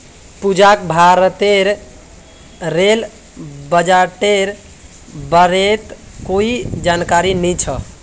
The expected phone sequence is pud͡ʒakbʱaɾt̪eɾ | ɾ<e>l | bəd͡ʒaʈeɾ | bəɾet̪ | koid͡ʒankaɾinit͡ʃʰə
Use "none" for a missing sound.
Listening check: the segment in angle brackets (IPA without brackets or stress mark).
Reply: e